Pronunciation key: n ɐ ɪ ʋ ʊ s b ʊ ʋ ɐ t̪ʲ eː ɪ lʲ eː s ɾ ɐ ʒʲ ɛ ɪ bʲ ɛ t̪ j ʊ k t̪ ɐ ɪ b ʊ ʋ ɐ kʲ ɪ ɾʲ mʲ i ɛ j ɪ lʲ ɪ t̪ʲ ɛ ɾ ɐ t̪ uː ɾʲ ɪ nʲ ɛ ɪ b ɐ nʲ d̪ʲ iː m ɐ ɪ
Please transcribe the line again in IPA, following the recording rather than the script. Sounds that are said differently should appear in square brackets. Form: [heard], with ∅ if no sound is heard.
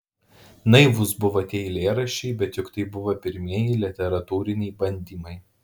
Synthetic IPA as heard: n ɐ ɪ ʋ ʊ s b ʊ ʋ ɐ t̪ʲ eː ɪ lʲ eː [∅] ɾ ɐ [ʃʲ] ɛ ɪ bʲ ɛ t̪ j ʊ k t̪ ɐ ɪ b ʊ ʋ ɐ [pʲ] ɪ ɾʲ mʲ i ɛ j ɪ lʲ ɪ t̪ʲ ɛ ɾ ɐ t̪ uː ɾʲ ɪ nʲ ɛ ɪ b ɐ nʲ d̪ʲ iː m ɐ ɪ